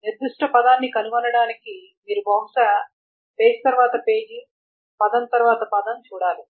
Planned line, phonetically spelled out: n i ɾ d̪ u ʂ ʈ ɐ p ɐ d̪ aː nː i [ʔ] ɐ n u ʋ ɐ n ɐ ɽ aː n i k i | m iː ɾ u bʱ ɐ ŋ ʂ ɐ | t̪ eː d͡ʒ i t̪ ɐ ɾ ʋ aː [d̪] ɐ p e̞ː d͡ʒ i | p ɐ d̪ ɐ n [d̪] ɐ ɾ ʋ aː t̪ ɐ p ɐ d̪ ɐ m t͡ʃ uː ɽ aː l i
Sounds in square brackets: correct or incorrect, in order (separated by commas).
incorrect, incorrect, incorrect